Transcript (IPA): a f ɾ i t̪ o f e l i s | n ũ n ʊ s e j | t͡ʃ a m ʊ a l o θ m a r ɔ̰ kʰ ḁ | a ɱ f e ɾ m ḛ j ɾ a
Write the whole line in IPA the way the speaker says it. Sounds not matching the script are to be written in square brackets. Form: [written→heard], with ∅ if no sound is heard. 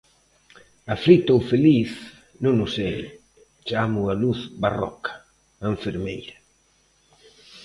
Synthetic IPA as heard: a f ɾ i t̪ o f e l i [s→θ] | n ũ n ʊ s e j | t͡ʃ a m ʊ a l [o→u] θ [m→b] a r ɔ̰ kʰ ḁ | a ɱ f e ɾ m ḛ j ɾ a